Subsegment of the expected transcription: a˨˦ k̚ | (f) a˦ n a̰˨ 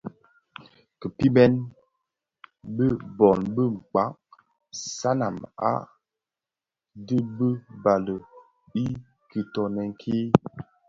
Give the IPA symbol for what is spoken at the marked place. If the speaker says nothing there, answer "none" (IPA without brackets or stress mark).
s